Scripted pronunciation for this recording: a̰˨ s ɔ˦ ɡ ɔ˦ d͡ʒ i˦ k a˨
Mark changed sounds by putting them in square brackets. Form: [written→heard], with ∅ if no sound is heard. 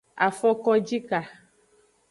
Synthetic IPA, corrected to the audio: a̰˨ [s→f] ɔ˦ [ɡ→k] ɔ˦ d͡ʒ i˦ k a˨